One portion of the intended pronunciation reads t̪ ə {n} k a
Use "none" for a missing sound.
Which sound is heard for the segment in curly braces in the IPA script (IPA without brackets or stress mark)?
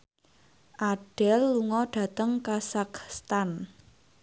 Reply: ŋ